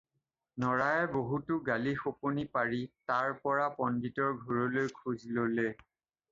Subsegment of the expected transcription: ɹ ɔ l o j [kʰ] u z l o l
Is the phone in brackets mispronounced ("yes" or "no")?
no